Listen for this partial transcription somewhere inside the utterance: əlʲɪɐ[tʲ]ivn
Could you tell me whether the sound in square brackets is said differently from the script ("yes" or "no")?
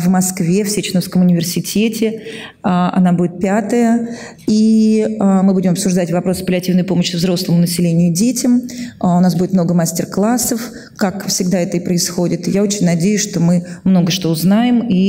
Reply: no